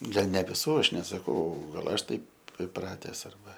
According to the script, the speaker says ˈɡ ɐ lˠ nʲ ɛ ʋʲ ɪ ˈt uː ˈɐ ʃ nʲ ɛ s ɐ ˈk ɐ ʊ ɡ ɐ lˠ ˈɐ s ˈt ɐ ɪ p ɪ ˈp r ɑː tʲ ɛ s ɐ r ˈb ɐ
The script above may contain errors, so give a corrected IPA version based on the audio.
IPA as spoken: ˈɡ ɐ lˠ nʲ ɛ ʋʲ ɪ ˈs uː ˈɐ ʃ nʲ ɛ s ɐ ˈk ɐ ʊ ɡ ɐ lˠ ˈɐ ʃ ˈt ɐ ɪ p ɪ ˈp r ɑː tʲ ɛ s ɐ r ˈb ɐ